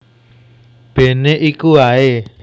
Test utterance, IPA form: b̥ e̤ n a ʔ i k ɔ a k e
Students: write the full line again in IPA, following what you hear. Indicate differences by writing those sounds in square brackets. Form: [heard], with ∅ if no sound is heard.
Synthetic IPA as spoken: b̥ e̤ n [e] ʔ i k [u] a [∅] e